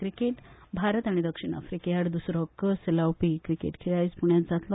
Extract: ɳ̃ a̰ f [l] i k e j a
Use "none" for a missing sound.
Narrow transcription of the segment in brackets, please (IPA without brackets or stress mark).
ɾ